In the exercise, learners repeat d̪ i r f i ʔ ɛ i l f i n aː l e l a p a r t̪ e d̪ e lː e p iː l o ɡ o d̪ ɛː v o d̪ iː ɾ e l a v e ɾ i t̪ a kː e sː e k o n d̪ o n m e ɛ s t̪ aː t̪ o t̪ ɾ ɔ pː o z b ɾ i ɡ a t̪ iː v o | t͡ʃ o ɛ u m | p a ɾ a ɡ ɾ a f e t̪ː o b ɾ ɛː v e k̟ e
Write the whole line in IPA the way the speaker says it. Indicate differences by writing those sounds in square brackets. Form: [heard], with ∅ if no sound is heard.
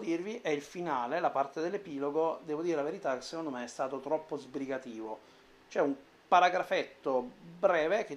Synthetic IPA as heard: d̪ i r [v] i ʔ ɛ i l f i n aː l e l a p a r t̪ e d̪ e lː e p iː l o ɡ o d̪ ɛː v o d̪ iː ɾ e l a v e ɾ i t̪ a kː e sː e k o n d̪ o [∅] m e ɛ s t̪ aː t̪ o t̪ ɾ ɔ pː o z b ɾ i ɡ a t̪ iː v o | t͡ʃ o ɛ u m | p a ɾ a ɡ ɾ a f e t̪ː o b ɾ ɛː v e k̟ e